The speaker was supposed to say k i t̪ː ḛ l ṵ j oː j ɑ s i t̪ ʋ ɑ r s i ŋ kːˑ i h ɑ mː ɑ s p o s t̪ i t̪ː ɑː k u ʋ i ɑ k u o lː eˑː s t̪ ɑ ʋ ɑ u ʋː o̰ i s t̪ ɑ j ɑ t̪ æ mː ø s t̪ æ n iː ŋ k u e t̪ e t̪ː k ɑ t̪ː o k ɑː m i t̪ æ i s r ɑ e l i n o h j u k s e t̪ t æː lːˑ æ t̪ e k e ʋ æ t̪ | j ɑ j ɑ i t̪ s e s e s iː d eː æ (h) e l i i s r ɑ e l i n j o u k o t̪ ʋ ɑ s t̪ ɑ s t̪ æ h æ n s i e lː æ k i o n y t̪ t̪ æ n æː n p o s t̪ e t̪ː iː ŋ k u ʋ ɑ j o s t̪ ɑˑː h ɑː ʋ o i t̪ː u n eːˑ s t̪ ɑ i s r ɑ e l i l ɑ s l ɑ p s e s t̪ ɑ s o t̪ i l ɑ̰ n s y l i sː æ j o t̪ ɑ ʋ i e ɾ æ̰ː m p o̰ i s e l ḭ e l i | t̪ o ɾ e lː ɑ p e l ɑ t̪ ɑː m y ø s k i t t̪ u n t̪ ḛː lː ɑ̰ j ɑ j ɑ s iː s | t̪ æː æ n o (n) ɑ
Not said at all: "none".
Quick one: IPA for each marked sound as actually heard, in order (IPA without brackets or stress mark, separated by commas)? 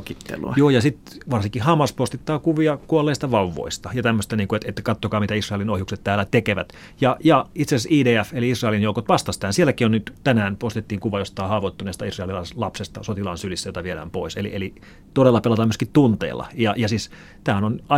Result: f, n